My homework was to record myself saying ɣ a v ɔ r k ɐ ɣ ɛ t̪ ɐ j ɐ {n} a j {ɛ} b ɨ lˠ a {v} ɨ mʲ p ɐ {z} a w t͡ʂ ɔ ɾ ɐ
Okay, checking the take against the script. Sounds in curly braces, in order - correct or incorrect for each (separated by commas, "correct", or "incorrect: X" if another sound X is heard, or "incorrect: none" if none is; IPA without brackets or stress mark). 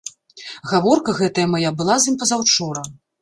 incorrect: m, incorrect: a, incorrect: z, correct